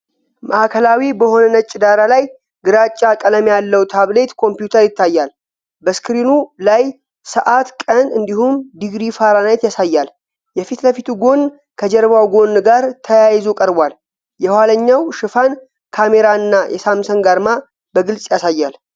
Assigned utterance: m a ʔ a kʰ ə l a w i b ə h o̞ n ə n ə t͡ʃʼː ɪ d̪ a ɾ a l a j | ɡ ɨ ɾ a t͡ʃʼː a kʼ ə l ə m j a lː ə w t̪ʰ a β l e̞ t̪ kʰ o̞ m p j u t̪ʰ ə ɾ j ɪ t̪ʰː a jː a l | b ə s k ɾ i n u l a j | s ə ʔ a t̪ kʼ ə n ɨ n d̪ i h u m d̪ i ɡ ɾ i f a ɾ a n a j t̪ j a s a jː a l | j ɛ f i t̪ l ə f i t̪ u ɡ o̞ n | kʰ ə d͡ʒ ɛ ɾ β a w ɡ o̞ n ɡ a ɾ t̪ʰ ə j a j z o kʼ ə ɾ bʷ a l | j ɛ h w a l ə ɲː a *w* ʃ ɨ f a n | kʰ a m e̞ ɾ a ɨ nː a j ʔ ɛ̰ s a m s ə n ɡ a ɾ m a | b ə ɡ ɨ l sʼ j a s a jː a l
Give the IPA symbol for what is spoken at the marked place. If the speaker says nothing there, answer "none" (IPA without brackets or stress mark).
w